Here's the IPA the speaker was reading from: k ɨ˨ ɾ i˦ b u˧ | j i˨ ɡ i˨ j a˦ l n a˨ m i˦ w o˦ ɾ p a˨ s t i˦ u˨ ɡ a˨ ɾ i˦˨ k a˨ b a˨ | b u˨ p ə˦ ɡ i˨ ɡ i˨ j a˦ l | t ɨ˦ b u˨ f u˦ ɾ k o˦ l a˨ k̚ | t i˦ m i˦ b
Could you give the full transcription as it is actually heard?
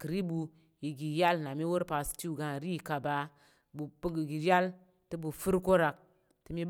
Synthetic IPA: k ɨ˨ ɾ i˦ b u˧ | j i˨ ɡ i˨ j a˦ l n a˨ m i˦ w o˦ ɾ p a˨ s t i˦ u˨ ɡ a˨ ɾ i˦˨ k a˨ b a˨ | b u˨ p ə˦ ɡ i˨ ɡ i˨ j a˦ l | t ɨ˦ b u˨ f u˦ ɾ k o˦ ɾ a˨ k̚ | t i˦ m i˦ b